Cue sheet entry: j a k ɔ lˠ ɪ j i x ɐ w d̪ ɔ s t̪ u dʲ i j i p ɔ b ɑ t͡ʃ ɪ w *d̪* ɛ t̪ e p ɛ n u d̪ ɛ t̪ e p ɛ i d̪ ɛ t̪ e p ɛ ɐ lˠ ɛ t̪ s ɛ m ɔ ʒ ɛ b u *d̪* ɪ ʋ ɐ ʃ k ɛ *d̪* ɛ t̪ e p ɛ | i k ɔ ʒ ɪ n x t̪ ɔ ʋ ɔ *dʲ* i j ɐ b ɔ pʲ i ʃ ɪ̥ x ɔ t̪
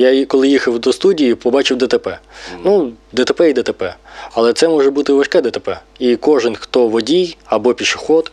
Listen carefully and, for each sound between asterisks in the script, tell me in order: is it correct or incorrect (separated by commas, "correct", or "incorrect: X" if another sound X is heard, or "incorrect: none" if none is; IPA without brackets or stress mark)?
correct, incorrect: t̪, correct, correct